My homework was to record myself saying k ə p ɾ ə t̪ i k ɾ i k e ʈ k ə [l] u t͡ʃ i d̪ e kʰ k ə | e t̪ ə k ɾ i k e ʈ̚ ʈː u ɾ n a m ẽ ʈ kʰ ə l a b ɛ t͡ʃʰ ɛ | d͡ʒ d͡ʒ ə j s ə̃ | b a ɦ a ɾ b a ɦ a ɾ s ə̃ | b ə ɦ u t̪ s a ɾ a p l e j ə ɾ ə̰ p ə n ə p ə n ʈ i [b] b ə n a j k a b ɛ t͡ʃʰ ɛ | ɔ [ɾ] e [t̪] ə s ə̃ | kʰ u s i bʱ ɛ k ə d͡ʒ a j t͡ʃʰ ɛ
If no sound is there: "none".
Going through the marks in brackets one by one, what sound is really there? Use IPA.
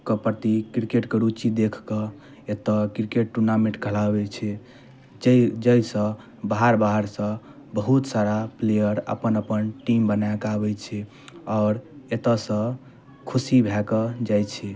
ɾ, m, ɾ, t̪

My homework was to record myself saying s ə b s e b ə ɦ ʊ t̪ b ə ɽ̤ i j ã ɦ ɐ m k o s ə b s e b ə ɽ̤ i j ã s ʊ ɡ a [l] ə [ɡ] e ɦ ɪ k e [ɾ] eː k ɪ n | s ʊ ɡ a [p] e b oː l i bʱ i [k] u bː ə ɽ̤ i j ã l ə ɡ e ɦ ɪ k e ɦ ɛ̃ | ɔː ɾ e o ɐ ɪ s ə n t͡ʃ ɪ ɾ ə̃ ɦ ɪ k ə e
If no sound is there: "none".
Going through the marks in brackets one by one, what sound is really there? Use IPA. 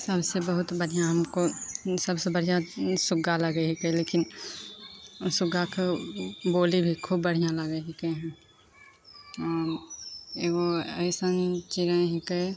l, ɡ, l, k, kʰ

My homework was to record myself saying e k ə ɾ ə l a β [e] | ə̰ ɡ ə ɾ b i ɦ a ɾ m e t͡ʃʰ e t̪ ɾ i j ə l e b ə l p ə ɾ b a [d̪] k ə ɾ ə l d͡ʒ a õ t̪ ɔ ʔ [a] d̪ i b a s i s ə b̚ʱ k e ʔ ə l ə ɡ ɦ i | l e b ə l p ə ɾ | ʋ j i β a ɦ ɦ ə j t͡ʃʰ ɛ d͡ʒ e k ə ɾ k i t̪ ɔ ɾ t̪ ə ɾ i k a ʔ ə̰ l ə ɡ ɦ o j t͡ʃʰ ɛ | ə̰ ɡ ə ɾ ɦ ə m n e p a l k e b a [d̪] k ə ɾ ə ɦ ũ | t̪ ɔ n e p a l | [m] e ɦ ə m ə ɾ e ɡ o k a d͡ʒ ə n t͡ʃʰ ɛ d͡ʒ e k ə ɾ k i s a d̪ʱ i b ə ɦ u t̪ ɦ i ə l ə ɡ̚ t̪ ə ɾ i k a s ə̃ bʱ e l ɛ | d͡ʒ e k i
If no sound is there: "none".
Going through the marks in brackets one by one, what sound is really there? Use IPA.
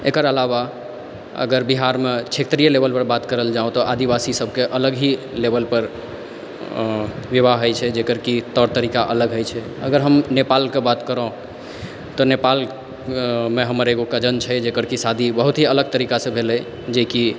a, t̪, a, t̪, m

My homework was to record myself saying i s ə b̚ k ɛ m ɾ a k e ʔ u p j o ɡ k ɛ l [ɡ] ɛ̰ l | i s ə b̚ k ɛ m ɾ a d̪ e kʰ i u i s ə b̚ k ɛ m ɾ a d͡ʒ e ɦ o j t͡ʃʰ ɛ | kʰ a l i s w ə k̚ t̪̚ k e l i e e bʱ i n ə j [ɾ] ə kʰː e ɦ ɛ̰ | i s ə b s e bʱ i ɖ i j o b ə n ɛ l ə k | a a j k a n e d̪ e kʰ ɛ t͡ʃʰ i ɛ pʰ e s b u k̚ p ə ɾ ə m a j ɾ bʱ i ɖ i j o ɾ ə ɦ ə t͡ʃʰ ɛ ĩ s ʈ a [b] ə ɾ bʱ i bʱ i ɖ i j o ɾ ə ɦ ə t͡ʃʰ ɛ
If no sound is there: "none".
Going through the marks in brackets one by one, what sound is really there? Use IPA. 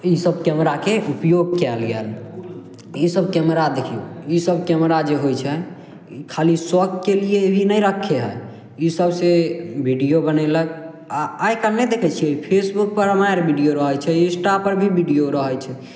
ɡ, ɾ, p

